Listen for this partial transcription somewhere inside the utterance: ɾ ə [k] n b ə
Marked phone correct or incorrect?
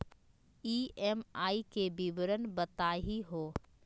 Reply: incorrect